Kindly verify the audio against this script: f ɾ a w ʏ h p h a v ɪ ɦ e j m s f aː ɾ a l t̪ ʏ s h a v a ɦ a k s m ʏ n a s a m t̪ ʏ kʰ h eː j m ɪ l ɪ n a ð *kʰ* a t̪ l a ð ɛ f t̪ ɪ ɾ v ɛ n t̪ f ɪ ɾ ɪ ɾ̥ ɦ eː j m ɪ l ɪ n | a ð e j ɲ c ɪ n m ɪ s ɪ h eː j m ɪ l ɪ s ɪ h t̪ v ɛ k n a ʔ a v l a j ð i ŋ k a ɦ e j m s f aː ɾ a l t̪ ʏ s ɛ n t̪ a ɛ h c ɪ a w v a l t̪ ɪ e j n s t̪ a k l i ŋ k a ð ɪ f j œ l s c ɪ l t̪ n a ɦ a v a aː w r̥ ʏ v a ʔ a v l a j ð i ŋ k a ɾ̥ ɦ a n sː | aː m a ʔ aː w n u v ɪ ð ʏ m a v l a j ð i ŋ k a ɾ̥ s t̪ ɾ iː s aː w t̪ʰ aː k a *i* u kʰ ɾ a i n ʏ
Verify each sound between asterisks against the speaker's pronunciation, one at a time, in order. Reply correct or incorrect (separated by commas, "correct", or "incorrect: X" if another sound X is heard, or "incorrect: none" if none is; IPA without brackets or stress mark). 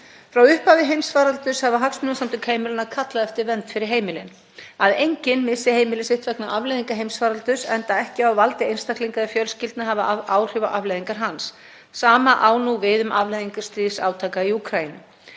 correct, correct